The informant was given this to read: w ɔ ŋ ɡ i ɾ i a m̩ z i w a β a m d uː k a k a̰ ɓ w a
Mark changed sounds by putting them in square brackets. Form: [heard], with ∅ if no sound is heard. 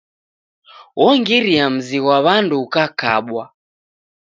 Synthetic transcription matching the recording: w ɔ ŋ ɡ i ɾ i a m̩ z i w a β a [n] d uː k a k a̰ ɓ w a

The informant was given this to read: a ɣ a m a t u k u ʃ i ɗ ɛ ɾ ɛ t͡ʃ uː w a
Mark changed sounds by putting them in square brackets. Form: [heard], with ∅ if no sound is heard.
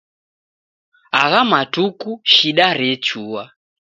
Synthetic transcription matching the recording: a ɣ a m a t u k u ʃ i ɗ [a] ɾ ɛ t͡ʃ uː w a

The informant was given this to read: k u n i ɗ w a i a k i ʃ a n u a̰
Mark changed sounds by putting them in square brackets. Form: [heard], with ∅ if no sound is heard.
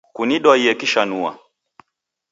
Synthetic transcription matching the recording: k u n i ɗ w a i [ɛ] k i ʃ a n u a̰

